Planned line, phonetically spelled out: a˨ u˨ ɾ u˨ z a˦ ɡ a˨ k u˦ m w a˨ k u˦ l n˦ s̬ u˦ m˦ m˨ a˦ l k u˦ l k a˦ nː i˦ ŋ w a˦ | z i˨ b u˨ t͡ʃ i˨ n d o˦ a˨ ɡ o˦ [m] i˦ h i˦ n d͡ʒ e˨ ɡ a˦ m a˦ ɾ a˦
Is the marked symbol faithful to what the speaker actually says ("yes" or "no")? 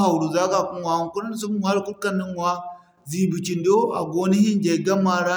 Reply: no